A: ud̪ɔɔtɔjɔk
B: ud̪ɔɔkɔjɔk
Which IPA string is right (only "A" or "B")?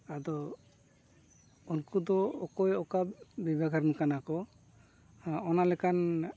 B